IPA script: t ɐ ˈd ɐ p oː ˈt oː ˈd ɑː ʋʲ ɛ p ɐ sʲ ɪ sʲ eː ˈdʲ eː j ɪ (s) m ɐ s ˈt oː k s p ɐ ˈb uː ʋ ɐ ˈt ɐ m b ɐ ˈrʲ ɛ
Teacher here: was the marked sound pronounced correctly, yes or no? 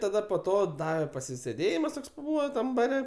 no